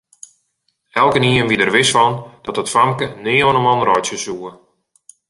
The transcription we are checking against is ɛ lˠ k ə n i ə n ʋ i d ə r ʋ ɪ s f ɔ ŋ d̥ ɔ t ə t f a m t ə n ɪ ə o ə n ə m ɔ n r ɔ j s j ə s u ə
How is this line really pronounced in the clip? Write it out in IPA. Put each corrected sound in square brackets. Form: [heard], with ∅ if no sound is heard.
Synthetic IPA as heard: ɛ lˠ k ə n i ə n ʋ i d ə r ʋ ɪ s f ɔ [n] d̥ ɔ t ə t f a m [k] ə n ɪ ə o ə n ə m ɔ n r ɔ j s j ə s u ə